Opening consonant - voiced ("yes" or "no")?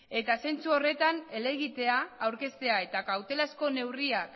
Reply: no